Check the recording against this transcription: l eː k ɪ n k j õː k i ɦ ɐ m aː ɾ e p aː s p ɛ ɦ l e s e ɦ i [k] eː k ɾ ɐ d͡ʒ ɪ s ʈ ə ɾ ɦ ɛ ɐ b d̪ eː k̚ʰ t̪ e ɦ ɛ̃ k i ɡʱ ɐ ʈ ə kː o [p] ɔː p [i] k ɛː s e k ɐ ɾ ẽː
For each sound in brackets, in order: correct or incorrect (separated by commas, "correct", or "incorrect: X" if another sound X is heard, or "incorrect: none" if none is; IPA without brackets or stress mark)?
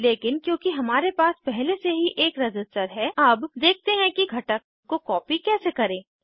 incorrect: ʔ, incorrect: k, correct